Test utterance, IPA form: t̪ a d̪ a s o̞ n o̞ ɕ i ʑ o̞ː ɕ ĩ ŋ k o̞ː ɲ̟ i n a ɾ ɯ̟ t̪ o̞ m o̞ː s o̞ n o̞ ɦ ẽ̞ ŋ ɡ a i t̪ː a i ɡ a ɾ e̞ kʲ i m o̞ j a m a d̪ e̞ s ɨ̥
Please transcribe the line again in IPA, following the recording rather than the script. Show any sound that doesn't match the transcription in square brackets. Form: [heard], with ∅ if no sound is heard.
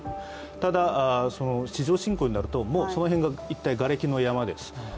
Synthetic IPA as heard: t̪ a d̪ a s o̞ n o̞ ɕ i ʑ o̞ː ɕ ĩ ŋ k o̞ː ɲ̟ i n a ɾ ɯ̟ t̪ o̞ m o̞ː s o̞ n o̞ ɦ ẽ̞ ŋ ɡ a i t̪ː a i ɡ a ɾ e̞ kʲ i [n] o̞ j a m a d̪ e̞ s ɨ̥